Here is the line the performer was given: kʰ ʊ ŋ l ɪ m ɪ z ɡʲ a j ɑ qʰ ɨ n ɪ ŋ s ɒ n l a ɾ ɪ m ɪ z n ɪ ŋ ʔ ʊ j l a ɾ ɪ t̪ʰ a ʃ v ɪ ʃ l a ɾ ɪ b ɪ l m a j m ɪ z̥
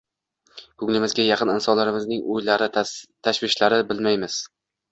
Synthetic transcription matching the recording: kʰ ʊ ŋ l ɪ m ɪ z ɡʲ a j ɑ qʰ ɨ n ɪ n s ɒ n l a ɾ ɪ m ɪ z n ɪ ŋ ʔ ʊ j l a ɾ ɪ t̪ʰ a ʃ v ɪ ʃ l a ɾ ɪ b ɪ l m a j m ɪ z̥